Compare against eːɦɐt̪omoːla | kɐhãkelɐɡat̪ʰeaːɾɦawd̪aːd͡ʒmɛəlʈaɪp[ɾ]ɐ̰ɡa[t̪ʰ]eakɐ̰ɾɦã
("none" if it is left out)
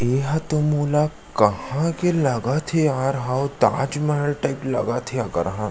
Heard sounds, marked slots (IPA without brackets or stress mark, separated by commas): l, t̪ʰ